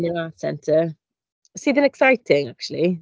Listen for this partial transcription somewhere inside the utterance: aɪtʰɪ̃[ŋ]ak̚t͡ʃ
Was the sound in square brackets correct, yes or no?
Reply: yes